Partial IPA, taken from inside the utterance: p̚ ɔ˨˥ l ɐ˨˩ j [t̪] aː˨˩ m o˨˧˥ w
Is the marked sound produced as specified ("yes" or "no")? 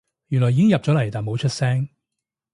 yes